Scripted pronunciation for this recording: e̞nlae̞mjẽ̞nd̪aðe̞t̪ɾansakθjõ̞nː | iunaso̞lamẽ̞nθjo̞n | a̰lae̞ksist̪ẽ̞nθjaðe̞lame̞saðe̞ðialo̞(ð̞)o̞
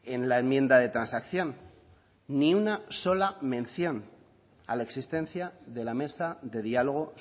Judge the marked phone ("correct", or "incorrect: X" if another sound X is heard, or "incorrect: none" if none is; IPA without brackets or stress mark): incorrect: ɣ̞